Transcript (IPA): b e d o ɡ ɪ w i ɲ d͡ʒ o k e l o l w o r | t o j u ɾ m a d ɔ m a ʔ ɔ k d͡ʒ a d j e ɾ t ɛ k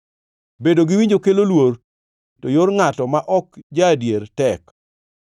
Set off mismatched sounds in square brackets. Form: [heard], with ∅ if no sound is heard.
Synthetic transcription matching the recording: b e d o ɡ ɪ w i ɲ d͡ʒ o k e l o l w o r | t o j [o] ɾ [ŋ] a [t] ɔ m a ʔ ɔ k d͡ʒ a d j e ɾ t ɛ k